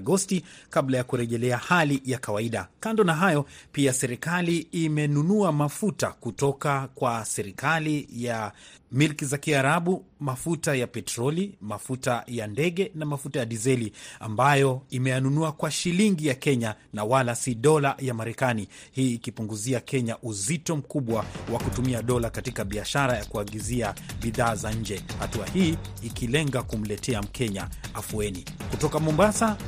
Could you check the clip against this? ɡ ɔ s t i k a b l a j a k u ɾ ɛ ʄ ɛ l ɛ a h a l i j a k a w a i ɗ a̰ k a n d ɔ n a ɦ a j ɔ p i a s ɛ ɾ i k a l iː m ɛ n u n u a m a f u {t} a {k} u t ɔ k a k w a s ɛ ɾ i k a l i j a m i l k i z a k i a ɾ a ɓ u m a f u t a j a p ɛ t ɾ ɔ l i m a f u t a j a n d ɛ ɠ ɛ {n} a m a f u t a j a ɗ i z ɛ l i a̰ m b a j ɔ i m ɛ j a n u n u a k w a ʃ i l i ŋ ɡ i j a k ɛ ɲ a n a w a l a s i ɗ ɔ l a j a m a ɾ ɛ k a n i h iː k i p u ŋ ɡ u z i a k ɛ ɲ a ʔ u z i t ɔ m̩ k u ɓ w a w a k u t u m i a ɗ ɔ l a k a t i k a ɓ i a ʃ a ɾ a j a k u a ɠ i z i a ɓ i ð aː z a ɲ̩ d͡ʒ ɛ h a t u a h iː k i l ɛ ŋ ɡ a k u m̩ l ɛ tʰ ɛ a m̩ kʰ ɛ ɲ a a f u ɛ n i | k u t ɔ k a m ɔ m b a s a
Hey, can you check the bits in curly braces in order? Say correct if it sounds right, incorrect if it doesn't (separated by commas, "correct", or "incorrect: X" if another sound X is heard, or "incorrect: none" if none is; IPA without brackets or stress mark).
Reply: correct, correct, correct